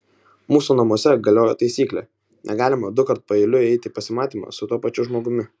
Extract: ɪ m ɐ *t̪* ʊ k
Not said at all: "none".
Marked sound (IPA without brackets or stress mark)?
d̪